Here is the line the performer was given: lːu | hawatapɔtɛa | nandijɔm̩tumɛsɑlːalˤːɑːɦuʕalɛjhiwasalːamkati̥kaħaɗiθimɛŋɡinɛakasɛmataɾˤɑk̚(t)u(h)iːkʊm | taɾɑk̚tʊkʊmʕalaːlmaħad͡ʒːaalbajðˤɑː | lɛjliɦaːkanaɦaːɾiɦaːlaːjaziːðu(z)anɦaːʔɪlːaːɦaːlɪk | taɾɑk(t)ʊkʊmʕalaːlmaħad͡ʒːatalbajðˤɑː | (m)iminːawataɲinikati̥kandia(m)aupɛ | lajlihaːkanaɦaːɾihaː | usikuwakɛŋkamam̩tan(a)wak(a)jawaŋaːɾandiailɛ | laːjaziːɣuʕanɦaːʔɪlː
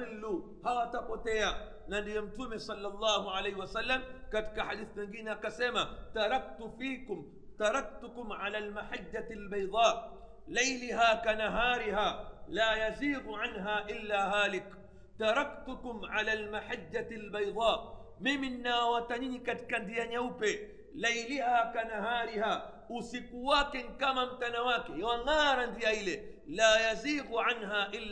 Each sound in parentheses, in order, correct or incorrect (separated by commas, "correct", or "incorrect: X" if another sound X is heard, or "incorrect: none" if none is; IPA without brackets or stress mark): correct, incorrect: f, incorrect: ʕ, correct, correct, incorrect: ɲ, correct, incorrect: ɛ